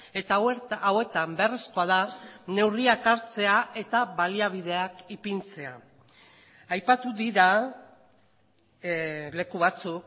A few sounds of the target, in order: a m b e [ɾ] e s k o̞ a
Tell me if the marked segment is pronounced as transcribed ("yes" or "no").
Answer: no